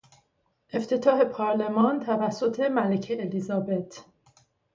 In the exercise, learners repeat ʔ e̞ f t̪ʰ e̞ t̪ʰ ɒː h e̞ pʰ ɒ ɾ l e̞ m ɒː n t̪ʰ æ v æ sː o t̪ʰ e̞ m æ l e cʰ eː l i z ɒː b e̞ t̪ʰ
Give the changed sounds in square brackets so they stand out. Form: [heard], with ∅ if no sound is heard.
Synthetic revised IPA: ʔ e̞ f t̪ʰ e̞ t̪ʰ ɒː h e̞ pʰ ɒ ɾ l e̞ m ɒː n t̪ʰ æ v æ sː o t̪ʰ e̞ m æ l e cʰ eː l i z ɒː b e̞ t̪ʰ